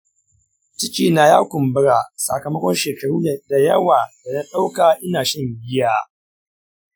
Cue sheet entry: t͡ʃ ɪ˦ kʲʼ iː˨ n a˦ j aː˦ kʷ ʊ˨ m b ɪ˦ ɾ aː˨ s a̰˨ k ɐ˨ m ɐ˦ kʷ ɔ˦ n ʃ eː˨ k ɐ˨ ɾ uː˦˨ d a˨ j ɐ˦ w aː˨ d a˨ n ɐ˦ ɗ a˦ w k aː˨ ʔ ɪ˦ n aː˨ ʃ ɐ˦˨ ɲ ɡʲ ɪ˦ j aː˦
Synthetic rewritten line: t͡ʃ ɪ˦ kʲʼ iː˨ n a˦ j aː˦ kʷ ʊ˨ m b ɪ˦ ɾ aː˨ s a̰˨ k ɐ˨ m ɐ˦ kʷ ɔ˦ n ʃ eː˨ k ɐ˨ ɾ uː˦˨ d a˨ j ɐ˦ w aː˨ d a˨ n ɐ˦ ɗ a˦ w k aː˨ ʔ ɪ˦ n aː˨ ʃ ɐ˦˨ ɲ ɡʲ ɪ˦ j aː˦